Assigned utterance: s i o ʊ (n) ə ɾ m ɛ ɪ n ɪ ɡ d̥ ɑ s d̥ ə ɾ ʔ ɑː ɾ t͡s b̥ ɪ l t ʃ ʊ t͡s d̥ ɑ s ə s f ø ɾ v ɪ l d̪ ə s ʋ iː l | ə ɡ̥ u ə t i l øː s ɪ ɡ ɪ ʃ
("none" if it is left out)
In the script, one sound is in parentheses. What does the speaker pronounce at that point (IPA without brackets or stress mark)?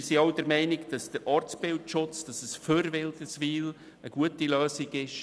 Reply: d